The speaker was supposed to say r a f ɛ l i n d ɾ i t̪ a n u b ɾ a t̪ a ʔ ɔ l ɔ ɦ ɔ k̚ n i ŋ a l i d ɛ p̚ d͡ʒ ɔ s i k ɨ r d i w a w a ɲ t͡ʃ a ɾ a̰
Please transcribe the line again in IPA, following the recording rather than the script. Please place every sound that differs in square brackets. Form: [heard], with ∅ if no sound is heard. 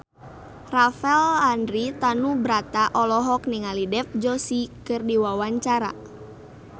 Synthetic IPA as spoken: r a f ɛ l [a] n d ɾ i t̪ a n u b ɾ a t̪ a ʔ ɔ l ɔ ɦ ɔ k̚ n i ŋ a l i d ɛ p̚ d͡ʒ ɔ s i k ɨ r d i w a w a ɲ t͡ʃ a ɾ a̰

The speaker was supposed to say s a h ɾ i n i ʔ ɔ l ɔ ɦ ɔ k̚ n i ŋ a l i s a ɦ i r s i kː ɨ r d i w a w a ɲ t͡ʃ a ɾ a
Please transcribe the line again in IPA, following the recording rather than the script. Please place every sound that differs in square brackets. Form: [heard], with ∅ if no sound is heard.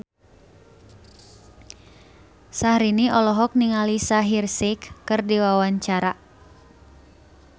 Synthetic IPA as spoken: s a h ɾ i n i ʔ ɔ l ɔ ɦ ɔ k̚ n i ŋ a l i s a ɦ i r s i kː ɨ r d i w a w a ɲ t͡ʃ a ɾ a

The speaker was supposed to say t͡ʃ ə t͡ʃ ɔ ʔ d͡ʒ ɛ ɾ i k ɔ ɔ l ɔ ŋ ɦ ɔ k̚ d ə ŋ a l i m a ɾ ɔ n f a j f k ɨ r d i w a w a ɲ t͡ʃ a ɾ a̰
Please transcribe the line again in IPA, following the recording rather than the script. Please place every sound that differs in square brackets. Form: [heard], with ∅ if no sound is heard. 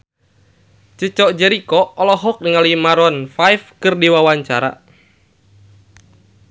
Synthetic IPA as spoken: t͡ʃ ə t͡ʃ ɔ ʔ d͡ʒ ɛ ɾ i k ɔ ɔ l ɔ [∅] ɦ ɔ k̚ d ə ŋ a l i m a ɾ ɔ n f a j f k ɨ r d i w a w a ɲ t͡ʃ a ɾ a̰

